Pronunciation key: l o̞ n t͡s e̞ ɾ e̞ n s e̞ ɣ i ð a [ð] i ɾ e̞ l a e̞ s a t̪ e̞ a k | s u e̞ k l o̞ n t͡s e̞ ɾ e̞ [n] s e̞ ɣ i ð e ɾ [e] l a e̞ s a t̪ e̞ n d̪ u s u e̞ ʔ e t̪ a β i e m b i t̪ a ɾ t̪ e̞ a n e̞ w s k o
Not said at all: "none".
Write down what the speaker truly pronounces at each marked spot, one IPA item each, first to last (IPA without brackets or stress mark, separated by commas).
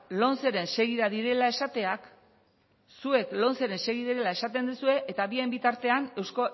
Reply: ð, n, e